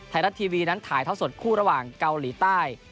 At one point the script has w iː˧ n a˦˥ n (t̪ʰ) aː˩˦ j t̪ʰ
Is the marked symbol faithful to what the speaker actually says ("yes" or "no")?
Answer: yes